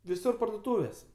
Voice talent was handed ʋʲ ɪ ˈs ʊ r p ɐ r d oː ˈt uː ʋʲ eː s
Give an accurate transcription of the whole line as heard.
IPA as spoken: ʋʲ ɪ ˈs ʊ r p ɐ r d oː ˈt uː ʋʲ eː s